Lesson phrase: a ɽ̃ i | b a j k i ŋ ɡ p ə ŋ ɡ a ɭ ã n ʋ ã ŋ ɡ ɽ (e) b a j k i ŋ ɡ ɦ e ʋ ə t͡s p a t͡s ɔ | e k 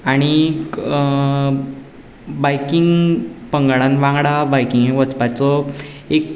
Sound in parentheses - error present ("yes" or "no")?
yes